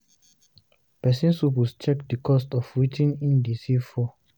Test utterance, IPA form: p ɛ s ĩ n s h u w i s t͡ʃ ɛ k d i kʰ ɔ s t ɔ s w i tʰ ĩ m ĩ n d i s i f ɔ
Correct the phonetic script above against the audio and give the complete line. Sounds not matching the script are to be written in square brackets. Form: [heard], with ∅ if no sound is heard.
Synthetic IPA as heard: p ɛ s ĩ n s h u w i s t͡ʃ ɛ k d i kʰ ɔ s t ɔ [f] w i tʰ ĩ [n] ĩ n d i s i f ɔ